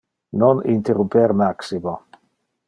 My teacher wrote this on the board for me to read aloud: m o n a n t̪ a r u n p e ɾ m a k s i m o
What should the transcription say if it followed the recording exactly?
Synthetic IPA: n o n i n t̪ e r u m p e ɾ m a k s i m o

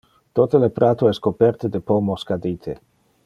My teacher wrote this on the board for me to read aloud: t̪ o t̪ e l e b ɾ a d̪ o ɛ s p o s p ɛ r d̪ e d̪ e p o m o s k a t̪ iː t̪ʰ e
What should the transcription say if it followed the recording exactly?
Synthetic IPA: t̪ o t̪ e l e p ɾ a t̪ o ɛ s k o p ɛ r t̪ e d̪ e p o m o s k a d̪ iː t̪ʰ e

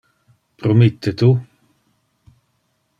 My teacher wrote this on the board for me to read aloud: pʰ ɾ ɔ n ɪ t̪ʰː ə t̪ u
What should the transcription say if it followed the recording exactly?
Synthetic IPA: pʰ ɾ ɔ m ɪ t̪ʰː ə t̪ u

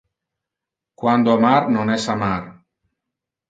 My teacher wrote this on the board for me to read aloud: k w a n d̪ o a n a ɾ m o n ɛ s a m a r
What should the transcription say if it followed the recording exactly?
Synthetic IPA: k w a n d̪ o a m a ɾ n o n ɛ s a m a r

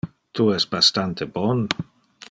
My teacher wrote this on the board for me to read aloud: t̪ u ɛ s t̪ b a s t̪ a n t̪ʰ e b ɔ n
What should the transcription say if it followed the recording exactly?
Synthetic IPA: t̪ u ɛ s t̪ b a s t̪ a n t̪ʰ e b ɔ n

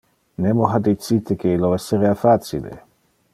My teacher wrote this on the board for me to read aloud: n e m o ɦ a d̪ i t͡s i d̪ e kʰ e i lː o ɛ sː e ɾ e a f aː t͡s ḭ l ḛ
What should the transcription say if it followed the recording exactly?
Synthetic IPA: n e m o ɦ a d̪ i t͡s i t̪ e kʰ e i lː o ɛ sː e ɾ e a f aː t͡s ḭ l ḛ

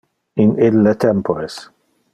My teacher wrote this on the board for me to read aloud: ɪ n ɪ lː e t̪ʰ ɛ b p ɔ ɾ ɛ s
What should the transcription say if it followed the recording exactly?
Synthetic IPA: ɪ n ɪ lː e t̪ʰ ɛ m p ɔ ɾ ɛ s

